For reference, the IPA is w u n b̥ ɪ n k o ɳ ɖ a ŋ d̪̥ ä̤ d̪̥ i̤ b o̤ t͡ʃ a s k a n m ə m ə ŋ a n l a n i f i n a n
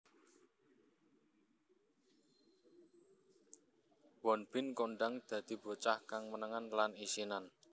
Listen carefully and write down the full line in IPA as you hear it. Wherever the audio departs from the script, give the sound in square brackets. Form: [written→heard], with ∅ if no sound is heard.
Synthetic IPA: w [u→ɔ] n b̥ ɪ n k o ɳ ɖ a ŋ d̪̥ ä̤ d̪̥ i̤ b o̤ t͡ʃ a [s→h] k a [n→ŋ] m ə [m→n] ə ŋ a n l a n i [f→s] i n a n

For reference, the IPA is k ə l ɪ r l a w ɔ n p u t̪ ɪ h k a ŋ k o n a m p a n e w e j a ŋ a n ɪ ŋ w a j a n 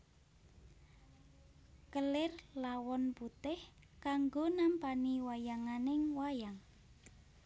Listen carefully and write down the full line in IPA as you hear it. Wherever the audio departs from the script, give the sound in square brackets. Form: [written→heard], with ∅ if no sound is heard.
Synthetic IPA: k ə l ɪ r l a w ɔ n p u t̪ ɪ h k a ŋ [k→ɡ] o n a m p a n [e→i] w [e→a] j a ŋ a n ɪ ŋ w a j a [n→ŋ]

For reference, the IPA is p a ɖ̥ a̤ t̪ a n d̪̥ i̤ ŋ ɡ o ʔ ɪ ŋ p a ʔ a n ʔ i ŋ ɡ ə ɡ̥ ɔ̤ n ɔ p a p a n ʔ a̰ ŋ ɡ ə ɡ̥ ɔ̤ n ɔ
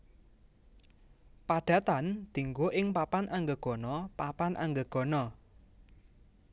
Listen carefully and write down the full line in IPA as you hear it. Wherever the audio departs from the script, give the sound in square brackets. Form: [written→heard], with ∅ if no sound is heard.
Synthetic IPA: p a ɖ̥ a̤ t̪ a n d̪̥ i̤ ŋ ɡ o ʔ ɪ ŋ p a [ʔ→p] a n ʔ [i→a] ŋ ɡ ə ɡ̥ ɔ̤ n ɔ p a p a n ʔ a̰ ŋ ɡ ə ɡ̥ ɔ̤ n ɔ

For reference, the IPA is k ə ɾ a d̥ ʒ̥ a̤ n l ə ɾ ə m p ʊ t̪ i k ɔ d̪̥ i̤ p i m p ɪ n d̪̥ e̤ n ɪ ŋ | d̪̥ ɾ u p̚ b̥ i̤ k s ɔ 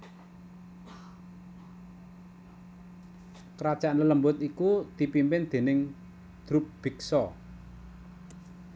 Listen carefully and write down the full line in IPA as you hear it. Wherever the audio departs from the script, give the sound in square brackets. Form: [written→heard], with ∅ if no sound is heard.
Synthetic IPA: k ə ɾ a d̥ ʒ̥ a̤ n l ə [ɾ→l] ə m [p→b] ʊ t̪ i k [ɔ→u] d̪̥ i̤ p i m p ɪ n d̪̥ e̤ n ɪ ŋ | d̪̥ ɾ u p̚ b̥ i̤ k s ɔ

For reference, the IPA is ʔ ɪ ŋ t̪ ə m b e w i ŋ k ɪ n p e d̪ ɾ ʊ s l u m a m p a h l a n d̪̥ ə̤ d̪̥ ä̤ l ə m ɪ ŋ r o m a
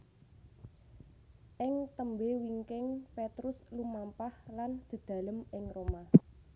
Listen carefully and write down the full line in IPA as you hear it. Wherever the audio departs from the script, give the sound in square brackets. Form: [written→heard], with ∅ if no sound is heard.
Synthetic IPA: ʔ ɪ ŋ t̪ ə m b e w i ŋ k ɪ [n→ŋ] p e [d̪→t̪] ɾ ʊ s l u m a m p a h l a n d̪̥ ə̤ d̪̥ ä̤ l ə m ɪ ŋ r o m a

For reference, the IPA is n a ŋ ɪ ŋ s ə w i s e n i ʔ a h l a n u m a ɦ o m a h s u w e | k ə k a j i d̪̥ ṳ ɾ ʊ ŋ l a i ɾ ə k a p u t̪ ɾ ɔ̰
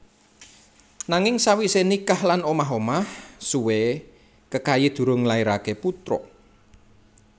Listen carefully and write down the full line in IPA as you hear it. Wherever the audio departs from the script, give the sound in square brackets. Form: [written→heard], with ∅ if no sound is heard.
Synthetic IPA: n a ŋ ɪ ŋ s [ə→a] w i s e n i [ʔ→k] a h l a n [u→o] m a ɦ o m a h s u w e | k ə k a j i d̪̥ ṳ ɾ ʊ ŋ l a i ɾ [ə→a] k [a→e] p u t̪ ɾ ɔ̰

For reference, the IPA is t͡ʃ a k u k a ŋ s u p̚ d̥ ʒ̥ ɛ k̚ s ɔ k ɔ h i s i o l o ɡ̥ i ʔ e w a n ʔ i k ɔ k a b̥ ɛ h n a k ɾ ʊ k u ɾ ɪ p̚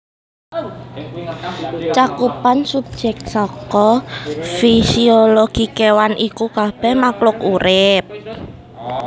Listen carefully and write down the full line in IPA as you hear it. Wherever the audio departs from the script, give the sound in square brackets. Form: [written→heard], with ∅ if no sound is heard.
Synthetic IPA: t͡ʃ a k u [k→p] a [ŋ→n] s u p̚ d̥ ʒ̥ ɛ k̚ s ɔ k ɔ [h→f] i s i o l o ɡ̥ i [ʔ→k] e w a n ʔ i k [ɔ→u] k a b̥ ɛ h [n→m] a k [ɾ→l] ʊ k u ɾ ɪ p̚

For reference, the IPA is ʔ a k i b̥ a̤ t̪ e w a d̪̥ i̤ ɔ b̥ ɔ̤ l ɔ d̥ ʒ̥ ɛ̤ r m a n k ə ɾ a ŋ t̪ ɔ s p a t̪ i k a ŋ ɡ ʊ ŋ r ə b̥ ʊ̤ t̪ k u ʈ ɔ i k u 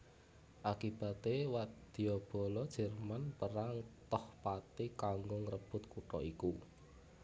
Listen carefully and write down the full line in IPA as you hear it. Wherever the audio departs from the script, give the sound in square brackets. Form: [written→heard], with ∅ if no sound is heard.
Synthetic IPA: ʔ a k i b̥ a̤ t̪ e w a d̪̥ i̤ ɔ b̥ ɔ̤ l ɔ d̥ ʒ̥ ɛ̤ r m a n [k→p] ə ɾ a ŋ t̪ ɔ [s→h] p a t̪ i k a ŋ ɡ ʊ ŋ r ə b̥ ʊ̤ t̪ k u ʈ ɔ i k u

